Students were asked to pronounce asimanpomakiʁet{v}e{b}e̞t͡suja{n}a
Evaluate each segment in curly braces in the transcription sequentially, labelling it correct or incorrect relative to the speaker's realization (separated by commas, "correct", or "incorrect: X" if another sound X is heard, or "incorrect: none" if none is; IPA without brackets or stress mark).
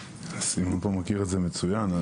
incorrect: z, incorrect: m, correct